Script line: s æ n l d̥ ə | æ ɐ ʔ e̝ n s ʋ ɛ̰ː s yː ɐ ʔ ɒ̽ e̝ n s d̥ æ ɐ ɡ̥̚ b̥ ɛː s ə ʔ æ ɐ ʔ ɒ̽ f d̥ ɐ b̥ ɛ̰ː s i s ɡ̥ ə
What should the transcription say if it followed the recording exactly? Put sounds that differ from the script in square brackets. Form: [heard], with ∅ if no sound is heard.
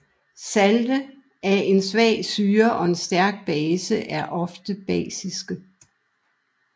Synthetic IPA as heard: s æ [∅] l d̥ ə | æ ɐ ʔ e̝ n s ʋ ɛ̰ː s yː ɐ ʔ ɒ̽ e̝ n s d̥ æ ɐ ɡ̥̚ b̥ ɛː s ə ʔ æ ɐ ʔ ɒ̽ f d̥ [ə] b̥ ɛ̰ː s i s ɡ̥ ə